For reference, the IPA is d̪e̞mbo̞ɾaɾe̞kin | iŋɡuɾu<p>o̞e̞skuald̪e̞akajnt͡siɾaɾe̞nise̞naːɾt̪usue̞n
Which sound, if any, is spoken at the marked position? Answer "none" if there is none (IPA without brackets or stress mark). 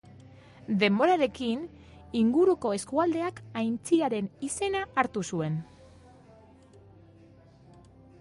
k